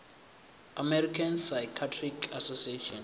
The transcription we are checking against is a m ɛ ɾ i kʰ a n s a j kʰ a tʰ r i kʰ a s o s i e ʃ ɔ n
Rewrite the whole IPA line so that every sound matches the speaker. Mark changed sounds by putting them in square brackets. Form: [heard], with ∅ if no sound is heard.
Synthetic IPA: a m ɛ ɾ i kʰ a n s a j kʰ a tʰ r i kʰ a s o s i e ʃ ɔ n